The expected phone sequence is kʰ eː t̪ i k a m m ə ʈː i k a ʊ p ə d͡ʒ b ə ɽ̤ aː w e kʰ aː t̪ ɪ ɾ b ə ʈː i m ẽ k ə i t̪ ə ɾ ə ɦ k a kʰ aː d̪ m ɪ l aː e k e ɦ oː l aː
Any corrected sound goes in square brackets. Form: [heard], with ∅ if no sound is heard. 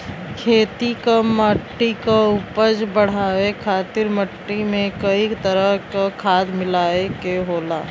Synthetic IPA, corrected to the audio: kʰ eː t̪ i k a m m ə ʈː i k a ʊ p ə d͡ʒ b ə ɽ̤ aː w e kʰ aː t̪ ɪ ɾ [m] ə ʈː i m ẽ k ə i t̪ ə ɾ ə ɦ k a kʰ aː d̪ m ɪ l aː e k e ɦ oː l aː